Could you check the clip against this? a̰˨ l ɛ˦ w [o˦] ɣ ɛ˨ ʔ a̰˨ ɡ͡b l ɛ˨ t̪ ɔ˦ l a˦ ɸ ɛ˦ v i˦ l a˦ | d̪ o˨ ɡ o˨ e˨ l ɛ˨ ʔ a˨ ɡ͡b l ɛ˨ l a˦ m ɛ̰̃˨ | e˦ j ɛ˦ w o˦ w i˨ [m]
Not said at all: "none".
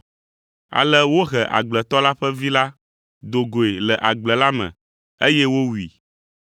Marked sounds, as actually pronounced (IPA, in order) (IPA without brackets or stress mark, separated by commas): o˦, none